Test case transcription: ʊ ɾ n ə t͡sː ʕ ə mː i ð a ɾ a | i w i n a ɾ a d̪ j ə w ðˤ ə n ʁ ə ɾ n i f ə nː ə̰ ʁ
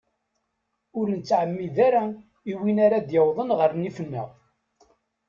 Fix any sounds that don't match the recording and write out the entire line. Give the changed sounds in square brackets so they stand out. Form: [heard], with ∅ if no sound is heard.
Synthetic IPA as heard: ʊ ɾ n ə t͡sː ʕ ə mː i ð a ɾ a | i w i n a ɾ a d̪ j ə w ðˤ ə n ʁ ə ɾ n i f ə nː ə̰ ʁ